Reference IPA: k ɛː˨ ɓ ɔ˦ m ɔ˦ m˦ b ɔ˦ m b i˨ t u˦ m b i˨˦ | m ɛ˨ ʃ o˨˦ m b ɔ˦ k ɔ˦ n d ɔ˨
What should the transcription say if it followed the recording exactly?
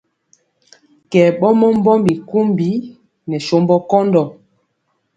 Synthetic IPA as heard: k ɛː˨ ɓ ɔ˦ m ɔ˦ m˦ b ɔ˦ m b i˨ k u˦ m b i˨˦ | n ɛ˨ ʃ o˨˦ m b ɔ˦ k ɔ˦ n d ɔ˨